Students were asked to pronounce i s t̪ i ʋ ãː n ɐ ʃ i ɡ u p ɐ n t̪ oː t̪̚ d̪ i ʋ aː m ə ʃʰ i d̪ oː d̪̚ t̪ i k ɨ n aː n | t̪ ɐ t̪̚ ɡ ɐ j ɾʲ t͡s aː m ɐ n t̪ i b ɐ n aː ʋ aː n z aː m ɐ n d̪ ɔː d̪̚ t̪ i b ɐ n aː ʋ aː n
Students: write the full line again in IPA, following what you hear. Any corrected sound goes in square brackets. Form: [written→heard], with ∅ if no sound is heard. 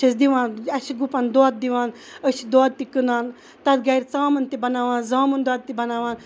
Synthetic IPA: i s [t̪→d̪] i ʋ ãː n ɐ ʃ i ɡ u p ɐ n [t̪→d̪] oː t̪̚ d̪ i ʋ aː [m→n] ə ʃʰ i d̪ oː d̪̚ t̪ i k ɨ n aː n | t̪ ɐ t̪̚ ɡ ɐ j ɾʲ t͡s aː m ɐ n t̪ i b ɐ n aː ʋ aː n z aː m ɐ n d̪ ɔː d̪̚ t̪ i b ɐ n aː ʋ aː n